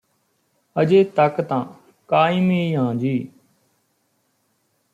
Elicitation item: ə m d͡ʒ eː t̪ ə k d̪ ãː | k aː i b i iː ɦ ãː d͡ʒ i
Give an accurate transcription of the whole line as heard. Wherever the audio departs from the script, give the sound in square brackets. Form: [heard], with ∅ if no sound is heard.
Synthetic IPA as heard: ə [∅] d͡ʒ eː t̪ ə k [t̪] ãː | k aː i [m] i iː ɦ ãː d͡ʒ [iː]